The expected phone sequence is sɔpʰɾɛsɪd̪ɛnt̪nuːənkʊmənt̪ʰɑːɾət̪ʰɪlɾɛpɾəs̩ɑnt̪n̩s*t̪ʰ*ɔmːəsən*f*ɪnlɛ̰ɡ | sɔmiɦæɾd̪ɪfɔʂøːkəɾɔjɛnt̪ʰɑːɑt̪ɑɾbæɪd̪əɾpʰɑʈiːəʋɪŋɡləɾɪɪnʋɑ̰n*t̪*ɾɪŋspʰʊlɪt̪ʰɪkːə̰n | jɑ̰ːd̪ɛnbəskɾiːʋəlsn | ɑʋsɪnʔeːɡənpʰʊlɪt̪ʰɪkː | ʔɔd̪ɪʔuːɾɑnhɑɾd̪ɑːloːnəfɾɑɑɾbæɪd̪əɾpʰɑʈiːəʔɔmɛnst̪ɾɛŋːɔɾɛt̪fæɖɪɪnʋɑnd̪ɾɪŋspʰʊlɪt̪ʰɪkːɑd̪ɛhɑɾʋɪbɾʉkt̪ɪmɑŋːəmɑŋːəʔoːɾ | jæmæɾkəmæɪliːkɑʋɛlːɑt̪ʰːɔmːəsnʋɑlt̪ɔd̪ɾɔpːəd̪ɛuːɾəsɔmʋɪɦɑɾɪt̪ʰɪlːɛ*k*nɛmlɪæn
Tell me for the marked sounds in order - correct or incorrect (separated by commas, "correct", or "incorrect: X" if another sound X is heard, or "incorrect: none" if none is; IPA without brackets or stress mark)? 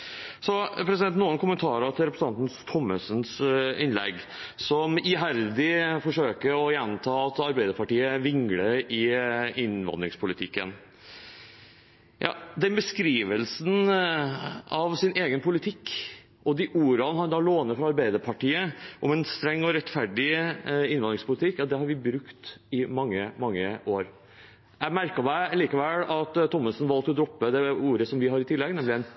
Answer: correct, incorrect: s, incorrect: d̪, incorrect: ɡ